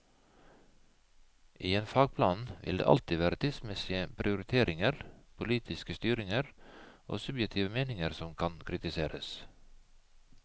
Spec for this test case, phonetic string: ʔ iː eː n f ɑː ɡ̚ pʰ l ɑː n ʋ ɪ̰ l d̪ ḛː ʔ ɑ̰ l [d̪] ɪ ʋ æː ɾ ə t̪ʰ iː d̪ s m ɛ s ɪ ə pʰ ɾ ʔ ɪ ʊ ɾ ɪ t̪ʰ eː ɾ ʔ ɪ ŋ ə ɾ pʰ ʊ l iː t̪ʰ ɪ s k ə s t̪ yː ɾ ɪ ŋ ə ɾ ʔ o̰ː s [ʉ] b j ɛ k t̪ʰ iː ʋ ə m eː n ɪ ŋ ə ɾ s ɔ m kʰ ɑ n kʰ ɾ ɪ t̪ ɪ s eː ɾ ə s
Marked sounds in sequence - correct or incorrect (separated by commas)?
incorrect, correct